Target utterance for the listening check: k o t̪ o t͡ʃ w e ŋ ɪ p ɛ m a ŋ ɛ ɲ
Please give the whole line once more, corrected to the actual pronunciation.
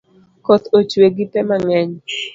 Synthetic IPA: k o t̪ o t͡ʃ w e ɡ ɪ p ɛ m a ŋ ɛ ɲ